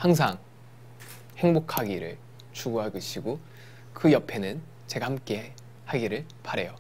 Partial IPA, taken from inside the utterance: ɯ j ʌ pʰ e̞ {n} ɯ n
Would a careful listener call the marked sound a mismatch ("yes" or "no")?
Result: no